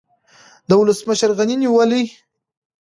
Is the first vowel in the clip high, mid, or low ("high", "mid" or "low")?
mid